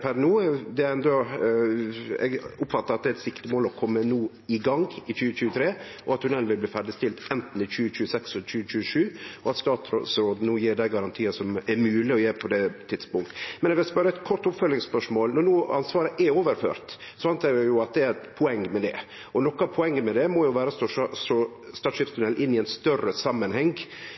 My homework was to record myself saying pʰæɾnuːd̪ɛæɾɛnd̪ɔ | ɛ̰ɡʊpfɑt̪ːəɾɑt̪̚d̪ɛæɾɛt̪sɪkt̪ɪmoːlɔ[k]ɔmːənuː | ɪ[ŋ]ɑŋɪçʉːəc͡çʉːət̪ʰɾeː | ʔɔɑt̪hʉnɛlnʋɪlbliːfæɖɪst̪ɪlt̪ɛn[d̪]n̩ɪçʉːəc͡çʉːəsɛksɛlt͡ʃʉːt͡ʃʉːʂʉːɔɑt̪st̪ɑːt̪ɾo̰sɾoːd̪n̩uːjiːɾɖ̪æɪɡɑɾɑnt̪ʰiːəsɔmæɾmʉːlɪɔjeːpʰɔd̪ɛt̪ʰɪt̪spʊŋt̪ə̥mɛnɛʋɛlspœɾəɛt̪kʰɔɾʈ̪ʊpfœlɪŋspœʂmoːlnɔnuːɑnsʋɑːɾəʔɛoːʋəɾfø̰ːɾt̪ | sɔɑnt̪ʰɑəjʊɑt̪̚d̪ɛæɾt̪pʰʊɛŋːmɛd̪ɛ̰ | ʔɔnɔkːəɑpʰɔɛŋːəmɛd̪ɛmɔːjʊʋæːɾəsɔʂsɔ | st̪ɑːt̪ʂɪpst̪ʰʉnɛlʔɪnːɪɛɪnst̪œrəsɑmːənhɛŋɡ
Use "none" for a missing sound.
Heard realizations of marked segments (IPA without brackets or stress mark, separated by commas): kʰ, ɡ, t̪